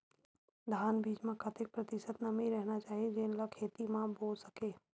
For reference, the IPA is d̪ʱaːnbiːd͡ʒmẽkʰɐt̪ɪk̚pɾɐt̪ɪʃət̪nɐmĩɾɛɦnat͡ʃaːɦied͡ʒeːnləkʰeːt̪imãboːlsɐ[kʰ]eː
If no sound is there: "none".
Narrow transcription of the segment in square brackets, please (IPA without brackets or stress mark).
k